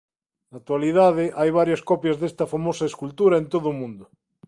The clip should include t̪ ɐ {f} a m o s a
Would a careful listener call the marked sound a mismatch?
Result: no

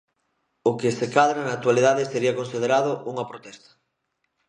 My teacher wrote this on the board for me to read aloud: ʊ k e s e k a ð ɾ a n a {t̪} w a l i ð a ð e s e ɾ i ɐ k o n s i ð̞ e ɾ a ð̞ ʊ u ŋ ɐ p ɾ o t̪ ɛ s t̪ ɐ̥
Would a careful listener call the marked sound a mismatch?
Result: no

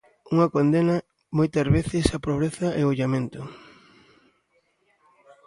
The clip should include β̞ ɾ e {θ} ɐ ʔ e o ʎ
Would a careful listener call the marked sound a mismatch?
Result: no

